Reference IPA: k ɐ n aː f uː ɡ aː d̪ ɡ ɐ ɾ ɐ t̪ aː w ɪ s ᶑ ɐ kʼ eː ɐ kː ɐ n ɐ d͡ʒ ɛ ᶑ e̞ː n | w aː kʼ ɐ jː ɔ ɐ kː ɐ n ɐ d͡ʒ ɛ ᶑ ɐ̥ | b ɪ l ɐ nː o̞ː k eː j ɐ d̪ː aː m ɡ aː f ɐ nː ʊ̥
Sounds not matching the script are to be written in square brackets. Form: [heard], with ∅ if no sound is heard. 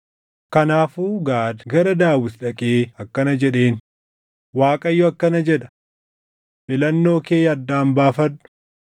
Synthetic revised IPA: k ɐ n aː f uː ɡ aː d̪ ɡ ɐ ɾ ɐ [d̪] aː w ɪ s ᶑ ɐ kʼ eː ɐ kː ɐ n ɐ d͡ʒ ɛ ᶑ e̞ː n | w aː kʼ ɐ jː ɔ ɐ kː ɐ n ɐ d͡ʒ ɛ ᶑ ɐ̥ | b ɪ l ɐ nː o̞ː k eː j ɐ d̪ː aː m [b] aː f ɐ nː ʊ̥